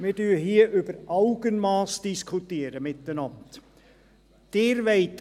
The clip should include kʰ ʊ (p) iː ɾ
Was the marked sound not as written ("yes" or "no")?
yes